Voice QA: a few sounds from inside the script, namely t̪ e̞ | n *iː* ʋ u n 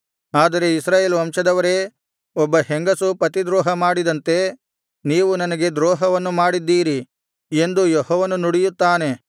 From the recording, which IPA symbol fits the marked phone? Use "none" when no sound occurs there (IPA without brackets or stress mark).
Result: iː